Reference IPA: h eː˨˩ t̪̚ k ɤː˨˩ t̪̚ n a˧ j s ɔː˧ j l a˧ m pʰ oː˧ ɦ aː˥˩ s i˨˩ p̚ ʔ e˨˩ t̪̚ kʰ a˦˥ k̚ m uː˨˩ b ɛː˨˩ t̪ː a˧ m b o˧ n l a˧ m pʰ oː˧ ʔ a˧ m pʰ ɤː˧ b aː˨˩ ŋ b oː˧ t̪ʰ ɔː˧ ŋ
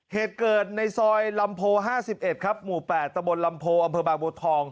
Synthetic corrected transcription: h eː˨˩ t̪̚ k ɤː˨˩ t̪̚ n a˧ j s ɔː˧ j l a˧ m pʰ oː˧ ɦ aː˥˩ s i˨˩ p̚ ʔ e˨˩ t̪̚ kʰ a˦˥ p̚ m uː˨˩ p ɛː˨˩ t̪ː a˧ m b o˧ n l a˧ m pʰ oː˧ ʔ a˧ m pʰ ɤː˧ b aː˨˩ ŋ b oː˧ t̪ʰ ɔː˧ ŋ

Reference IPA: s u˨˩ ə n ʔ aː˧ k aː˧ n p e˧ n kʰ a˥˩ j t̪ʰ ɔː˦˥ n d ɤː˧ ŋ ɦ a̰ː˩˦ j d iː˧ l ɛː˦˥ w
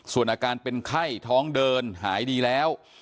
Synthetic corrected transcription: s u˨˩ ə n ʔ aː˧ k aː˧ n p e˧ n kʰ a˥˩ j t̪ʰ ɔː˦˥ ŋ d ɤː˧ n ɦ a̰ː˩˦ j d iː˧ l ɛː˦˥ w

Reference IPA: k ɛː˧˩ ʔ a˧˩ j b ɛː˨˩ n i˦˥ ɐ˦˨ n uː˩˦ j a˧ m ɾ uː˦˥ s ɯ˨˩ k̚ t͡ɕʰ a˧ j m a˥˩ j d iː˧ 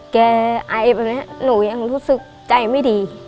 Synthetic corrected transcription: k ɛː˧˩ ʔ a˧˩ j b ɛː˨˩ n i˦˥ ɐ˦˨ n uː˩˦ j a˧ ŋ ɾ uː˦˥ s ɯ˨˩ k̚ t͡ɕ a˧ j m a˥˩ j d iː˧

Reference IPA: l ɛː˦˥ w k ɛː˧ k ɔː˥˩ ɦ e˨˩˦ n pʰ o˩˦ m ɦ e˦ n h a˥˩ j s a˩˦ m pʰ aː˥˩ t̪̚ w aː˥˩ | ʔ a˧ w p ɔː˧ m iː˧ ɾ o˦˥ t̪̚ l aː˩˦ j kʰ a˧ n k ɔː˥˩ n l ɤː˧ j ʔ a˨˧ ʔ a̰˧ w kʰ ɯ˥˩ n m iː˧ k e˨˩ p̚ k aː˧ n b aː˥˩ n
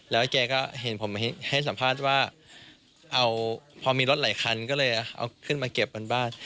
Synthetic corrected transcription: l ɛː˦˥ w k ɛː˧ k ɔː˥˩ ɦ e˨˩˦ n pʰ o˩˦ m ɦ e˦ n h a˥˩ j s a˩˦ m pʰ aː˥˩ t̪̚ w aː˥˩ | ʔ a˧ w pʰ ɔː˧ m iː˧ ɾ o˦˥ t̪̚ l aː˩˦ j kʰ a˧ n k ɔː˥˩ l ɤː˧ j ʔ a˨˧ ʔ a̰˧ w kʰ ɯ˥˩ n m aː˧ k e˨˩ p̚ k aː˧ n b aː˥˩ n

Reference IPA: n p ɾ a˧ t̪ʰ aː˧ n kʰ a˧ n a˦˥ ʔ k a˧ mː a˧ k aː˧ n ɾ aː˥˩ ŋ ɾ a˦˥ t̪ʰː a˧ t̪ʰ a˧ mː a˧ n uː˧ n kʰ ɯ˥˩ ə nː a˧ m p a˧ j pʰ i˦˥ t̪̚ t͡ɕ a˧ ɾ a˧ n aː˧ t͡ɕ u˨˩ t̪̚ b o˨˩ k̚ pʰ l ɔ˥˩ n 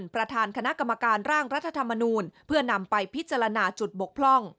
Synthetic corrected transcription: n p ɾ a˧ t̪ʰ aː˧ n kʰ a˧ n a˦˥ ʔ k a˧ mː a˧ k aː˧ n ɾ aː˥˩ ŋ ɾ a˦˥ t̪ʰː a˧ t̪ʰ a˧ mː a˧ n uː˧ n pʰ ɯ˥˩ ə n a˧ m p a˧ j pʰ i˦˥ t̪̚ t͡ɕ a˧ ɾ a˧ n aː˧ t͡ɕ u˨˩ t̪̚ b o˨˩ k̚ pʰ l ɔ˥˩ ŋ

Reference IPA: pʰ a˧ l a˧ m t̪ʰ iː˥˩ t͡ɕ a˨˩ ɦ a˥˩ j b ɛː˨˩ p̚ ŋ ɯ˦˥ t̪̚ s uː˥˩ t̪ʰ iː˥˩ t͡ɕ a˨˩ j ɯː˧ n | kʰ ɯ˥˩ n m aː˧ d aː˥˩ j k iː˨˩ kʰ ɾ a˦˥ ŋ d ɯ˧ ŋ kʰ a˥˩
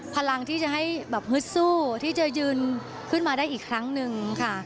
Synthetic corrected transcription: pʰ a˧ l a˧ ŋ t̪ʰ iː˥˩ t͡ɕ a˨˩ ɦ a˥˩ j b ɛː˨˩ p̚ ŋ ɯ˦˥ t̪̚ s uː˥˩ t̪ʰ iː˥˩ t͡ɕ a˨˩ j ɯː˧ n | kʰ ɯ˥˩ n m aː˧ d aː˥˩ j ʔ iː˨˩ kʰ ɾ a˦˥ ŋ n ɯ˧ ŋ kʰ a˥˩

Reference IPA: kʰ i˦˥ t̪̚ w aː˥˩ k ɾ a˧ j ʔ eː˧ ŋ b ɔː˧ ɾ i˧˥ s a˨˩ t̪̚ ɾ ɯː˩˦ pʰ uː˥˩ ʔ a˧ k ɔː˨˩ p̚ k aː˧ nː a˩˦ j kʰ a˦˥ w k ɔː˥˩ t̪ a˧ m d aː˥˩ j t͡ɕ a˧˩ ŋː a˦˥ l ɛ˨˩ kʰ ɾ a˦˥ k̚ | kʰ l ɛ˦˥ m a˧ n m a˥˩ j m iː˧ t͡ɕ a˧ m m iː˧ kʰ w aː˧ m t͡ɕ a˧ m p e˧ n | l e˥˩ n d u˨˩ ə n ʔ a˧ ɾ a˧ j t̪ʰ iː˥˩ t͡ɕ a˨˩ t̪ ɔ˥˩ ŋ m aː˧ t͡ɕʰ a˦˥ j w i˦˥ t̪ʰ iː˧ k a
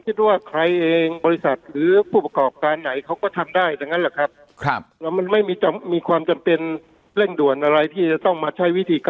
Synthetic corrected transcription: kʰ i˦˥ t̪̚ w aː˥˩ kʰ ɾ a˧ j ʔ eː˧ ŋ b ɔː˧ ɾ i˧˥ s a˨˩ t̪̚ ɾ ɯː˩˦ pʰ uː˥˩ p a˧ k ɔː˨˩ p̚ k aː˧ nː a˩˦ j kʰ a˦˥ w k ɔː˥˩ t̪ʰ a˧ m d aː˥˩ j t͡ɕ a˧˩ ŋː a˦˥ l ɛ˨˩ kʰ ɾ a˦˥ p̚ | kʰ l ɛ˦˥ m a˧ n m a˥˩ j m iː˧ t͡ɕ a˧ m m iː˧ kʰ w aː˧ m t͡ɕ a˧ m p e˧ n | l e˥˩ ŋ d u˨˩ ə n ʔ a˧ ɾ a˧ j t̪ʰ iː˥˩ t͡ɕ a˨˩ t̪ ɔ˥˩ ŋ m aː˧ t͡ɕʰ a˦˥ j w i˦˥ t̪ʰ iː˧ k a

